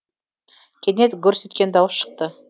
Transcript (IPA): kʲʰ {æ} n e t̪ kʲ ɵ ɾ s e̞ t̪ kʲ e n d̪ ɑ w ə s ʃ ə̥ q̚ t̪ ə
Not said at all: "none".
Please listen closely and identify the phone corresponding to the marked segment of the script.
e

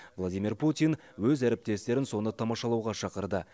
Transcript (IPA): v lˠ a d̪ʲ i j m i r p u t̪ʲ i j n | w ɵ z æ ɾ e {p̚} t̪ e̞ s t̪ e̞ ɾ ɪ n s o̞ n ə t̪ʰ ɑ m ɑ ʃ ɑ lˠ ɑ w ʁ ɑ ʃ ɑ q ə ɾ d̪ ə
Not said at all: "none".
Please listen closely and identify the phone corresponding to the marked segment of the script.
p̚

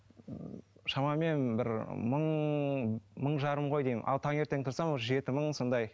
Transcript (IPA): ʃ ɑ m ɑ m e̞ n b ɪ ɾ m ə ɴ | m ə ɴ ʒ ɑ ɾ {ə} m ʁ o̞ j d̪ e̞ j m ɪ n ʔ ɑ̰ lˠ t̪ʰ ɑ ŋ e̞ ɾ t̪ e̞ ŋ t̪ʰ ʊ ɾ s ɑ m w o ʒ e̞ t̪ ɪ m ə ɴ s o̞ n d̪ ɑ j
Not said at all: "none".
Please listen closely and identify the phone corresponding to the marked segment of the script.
ə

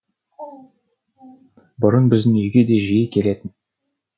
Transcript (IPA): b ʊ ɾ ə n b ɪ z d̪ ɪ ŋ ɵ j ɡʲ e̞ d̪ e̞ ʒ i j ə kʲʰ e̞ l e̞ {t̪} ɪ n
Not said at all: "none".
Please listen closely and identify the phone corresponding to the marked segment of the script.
t̪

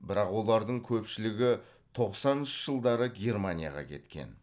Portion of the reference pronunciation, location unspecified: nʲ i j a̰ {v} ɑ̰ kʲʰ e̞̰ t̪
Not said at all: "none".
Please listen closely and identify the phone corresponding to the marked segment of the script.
ʁ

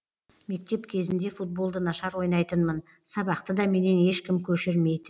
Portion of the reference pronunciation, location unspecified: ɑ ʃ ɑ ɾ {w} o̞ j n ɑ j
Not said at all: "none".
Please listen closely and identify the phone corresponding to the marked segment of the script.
w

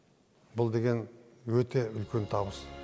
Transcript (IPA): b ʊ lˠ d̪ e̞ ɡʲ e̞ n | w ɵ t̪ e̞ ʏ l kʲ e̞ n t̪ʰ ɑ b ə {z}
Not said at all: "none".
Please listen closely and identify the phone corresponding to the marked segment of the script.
s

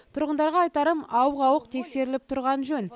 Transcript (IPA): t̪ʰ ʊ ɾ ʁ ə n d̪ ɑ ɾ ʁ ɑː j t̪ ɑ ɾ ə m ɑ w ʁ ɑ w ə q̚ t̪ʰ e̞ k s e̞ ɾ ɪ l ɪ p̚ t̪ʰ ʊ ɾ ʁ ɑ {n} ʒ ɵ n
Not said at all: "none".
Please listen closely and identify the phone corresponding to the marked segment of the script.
n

